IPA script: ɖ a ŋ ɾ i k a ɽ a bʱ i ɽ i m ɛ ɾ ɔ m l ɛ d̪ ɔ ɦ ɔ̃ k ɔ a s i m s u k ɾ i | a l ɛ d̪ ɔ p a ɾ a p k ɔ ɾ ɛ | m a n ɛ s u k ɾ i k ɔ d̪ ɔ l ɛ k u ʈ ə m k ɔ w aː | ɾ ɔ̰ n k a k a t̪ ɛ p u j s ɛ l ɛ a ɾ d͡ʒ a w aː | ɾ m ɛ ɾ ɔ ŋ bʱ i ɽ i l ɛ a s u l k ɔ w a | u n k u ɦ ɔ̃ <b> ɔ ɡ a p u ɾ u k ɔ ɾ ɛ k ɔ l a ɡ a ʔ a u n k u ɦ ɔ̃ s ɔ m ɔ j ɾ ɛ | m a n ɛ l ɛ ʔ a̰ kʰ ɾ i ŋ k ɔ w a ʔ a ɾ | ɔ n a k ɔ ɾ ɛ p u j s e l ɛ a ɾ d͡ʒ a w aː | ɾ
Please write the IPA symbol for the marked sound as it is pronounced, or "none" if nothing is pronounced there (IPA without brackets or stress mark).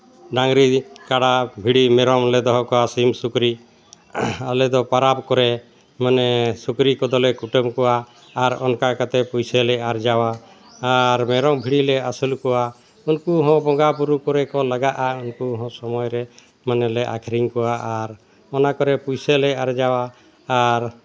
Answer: b